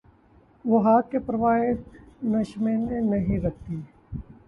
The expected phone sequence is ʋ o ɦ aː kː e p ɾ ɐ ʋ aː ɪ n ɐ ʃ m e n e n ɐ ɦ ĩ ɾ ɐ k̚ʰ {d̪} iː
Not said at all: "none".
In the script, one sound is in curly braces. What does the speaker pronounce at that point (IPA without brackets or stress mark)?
t̪